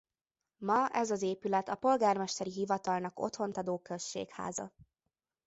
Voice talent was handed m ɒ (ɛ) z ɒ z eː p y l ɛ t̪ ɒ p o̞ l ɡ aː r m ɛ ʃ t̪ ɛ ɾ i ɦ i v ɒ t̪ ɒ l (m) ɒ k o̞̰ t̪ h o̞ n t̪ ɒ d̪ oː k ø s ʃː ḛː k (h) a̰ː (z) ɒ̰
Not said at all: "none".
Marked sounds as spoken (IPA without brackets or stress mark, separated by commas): ɛ, n, h, z